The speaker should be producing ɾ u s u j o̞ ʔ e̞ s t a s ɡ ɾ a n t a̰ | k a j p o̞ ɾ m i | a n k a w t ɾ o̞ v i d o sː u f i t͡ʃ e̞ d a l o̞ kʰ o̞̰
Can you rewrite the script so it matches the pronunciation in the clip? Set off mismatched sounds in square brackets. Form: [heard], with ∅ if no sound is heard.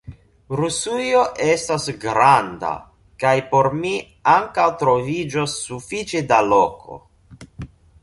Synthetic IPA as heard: ɾ u s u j o̞ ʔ e̞ s t a s ɡ ɾ a n [d] a̰ | k a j p o̞ ɾ m i | a [ŋ] k a w t ɾ o̞ v i [d͡ʒ] o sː u f i t͡ʃ e̞ d a l o̞ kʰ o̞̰